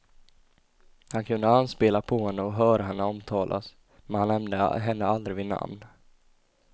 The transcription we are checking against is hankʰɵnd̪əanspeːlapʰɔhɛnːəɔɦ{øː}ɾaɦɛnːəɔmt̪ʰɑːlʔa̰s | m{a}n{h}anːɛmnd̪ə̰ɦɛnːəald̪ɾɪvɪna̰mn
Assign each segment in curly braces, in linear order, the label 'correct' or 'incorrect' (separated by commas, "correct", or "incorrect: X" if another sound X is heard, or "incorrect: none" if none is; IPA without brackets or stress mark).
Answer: incorrect: œː, incorrect: ɛ, correct